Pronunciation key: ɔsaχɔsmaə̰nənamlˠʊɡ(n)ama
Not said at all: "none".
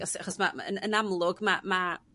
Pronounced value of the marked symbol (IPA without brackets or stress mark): m